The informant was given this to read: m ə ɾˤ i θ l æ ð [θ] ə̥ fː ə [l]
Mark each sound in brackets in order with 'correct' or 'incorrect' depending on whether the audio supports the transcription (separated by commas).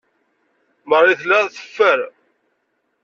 correct, incorrect